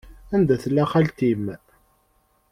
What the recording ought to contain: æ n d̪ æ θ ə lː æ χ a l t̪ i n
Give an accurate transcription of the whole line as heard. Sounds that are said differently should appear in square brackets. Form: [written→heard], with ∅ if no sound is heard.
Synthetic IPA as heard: æ n d̪ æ θ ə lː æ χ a l t̪ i [n→m]